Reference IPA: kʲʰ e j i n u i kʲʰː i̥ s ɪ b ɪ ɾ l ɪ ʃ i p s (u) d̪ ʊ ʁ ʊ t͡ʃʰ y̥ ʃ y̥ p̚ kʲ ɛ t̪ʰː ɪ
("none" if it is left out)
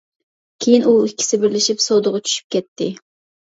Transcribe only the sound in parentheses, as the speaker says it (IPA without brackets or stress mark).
o